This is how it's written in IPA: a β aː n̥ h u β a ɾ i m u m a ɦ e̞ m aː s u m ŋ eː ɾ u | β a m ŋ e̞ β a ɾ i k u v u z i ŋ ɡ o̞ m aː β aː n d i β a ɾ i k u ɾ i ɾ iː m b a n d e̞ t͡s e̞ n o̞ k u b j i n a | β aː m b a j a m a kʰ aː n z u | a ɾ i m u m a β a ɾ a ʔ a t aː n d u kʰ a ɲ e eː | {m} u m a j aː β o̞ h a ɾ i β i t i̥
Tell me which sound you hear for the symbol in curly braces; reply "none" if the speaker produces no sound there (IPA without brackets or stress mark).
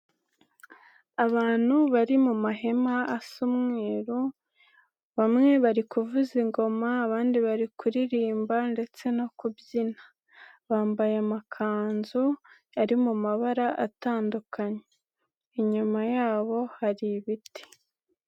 ɲ